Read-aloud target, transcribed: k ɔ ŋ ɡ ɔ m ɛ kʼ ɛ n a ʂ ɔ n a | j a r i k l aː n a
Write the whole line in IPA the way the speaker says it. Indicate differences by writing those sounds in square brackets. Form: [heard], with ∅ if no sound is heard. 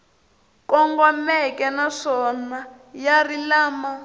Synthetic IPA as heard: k ɔ ŋ ɡ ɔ m ɛ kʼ ɛ n a ʂ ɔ n a | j a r i [∅] l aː [m] a